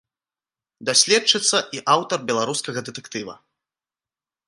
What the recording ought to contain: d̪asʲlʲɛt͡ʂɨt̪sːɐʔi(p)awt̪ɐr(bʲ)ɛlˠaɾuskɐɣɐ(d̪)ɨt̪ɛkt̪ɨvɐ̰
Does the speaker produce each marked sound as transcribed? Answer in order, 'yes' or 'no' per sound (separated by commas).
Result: no, yes, yes